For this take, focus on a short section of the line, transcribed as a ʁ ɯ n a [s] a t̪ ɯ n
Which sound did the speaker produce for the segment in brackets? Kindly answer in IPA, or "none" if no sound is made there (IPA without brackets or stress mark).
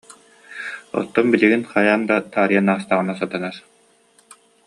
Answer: s